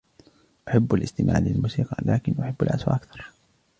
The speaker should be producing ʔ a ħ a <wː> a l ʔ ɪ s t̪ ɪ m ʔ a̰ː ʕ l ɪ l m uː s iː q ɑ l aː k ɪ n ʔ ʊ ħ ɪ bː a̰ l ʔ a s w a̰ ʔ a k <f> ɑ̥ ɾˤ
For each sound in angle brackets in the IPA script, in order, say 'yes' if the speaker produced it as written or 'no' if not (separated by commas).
no, no